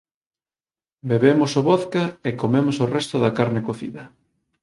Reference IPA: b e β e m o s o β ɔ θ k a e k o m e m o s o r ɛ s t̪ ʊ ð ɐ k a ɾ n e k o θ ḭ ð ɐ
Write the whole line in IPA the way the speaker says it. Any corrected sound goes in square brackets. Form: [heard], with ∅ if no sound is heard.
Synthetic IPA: b e β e m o s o β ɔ θ k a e k o m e m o s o r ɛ s t̪ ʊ ð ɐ k a ɾ n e k o θ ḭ ð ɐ